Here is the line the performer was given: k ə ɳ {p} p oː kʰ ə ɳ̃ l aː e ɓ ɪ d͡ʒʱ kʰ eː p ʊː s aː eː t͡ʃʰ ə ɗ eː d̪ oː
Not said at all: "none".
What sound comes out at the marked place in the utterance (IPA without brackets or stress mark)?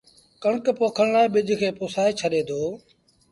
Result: k